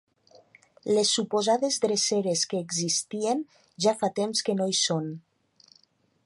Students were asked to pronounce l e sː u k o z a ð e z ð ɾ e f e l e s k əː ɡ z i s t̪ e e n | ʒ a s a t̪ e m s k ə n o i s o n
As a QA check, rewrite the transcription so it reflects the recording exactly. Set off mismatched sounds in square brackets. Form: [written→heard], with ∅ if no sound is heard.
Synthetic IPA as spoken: l e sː u [k→p] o z a ð e z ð ɾ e [f→s] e [l→ɾ] e s k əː ɡ z i s t̪ [e→i] e n | ʒ a [s→f] a t̪ e m s k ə n o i s o n